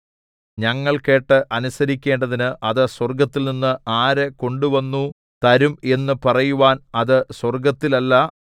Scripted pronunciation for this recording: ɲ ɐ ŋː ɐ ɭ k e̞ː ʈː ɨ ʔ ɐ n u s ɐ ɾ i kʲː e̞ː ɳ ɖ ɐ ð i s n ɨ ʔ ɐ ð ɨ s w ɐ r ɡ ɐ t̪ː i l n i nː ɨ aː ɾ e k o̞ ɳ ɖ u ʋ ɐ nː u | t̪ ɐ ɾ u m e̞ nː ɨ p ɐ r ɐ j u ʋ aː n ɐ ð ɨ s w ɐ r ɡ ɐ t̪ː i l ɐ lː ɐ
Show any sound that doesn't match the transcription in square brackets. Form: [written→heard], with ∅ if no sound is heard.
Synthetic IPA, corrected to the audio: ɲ ɐ ŋː ɐ ɭ k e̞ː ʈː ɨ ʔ ɐ n u s ɐ ɾ i kʲː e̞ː ɳ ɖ ɐ ð i [s→∅] n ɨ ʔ ɐ ð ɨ s w ɐ r ɡ ɐ t̪ː i l n i nː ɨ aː ɾ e k o̞ ɳ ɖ u ʋ ɐ nː u | t̪ ɐ ɾ u m e̞ nː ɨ p ɐ r ɐ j u ʋ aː n ɐ ð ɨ s w ɐ r ɡ ɐ t̪ː i l ɐ lː ɐ